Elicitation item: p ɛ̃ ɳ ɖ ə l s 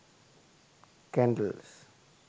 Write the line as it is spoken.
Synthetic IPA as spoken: k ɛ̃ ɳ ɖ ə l s